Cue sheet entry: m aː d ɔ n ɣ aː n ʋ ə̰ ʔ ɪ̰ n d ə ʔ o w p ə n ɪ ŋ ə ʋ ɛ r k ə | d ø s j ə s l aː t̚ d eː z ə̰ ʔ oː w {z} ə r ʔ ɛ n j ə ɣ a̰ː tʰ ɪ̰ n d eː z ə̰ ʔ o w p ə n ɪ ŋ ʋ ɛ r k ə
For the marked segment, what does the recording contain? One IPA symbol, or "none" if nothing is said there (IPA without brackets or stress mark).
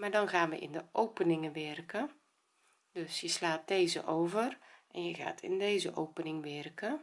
v